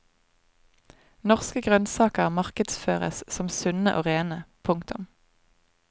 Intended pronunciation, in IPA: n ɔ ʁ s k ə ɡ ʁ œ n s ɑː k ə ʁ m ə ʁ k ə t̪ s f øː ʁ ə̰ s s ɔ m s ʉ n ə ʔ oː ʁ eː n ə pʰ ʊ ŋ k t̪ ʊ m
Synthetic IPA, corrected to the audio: n ɔ ʁ s k ə ɡ ʁ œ n s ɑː k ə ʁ m ɑ ʁ k ə d̪ s f øː ʁ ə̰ s s ɔ m s ʉ n ə ʔ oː ʁ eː n ə pʰ ʊ ŋ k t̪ ʊ m